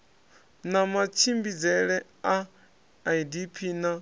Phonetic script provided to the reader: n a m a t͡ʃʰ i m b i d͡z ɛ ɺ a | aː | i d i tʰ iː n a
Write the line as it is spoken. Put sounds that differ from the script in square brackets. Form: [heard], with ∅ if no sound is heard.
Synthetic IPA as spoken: n a m a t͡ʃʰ i m b i d͡z ɛ ɺ [ɛ] | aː | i d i [pʰ] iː n a